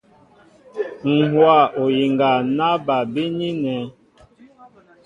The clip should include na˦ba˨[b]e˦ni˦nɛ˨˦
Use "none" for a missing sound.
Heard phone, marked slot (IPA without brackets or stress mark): b